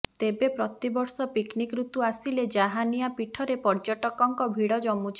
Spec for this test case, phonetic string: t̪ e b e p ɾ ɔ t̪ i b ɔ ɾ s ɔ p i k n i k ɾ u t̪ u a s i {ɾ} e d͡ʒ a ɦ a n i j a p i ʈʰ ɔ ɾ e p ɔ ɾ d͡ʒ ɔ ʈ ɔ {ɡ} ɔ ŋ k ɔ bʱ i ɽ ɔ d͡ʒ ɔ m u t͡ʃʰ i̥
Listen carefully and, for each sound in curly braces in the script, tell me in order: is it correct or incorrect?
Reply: incorrect: l, incorrect: k

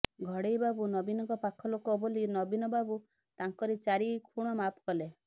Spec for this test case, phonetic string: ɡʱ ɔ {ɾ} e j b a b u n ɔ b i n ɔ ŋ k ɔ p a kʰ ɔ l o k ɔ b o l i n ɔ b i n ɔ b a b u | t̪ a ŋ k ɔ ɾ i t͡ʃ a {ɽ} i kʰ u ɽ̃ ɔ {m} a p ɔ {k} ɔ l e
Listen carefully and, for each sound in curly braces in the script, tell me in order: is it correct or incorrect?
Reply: incorrect: ɽ, incorrect: ɾ, correct, correct

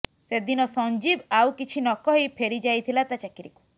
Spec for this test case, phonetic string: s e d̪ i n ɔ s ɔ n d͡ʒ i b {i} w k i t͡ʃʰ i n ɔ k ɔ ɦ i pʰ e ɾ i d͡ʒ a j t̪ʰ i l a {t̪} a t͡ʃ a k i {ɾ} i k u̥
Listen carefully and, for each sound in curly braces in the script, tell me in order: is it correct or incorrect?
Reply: incorrect: a, correct, correct

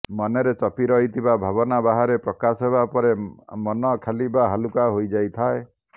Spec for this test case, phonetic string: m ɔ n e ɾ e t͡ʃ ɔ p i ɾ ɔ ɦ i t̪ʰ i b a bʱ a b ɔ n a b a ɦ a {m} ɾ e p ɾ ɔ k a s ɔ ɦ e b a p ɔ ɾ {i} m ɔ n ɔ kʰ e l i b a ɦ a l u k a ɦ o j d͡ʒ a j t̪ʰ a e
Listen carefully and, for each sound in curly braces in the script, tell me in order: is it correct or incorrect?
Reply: incorrect: none, incorrect: e

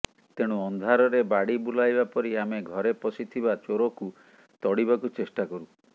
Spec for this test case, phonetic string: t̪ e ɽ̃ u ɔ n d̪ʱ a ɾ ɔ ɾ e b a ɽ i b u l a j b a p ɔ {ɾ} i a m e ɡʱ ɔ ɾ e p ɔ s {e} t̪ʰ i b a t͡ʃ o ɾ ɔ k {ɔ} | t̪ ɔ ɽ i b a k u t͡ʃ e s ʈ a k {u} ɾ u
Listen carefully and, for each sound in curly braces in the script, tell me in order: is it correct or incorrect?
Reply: correct, incorrect: i, incorrect: u, incorrect: ɔ

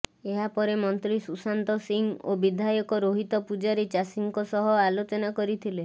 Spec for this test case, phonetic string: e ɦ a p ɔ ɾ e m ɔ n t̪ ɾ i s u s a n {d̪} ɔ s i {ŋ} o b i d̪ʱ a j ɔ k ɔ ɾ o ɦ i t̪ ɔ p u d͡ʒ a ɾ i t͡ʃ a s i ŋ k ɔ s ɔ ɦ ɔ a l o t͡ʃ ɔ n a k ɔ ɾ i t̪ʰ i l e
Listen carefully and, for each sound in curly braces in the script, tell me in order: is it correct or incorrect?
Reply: incorrect: t̪, correct

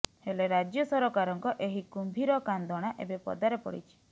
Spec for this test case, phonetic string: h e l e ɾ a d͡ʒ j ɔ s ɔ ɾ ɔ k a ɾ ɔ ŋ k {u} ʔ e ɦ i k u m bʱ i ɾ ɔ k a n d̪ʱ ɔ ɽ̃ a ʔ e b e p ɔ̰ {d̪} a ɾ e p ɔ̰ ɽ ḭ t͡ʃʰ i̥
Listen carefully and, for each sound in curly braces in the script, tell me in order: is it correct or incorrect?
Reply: incorrect: ɔ, correct

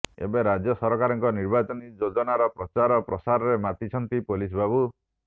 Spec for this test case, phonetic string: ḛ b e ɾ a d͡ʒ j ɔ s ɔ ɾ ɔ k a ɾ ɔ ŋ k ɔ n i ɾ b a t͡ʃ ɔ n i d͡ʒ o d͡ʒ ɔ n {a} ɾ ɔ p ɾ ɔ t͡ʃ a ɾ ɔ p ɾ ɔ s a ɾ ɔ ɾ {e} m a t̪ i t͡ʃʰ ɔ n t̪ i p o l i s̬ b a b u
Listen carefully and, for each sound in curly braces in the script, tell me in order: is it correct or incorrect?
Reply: correct, correct

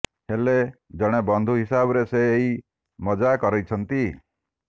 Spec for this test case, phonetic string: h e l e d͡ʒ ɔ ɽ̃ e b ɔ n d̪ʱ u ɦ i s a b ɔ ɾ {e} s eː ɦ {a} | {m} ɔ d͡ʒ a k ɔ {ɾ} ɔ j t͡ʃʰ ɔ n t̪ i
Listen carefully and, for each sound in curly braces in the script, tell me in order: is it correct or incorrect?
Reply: correct, incorrect: i, correct, correct

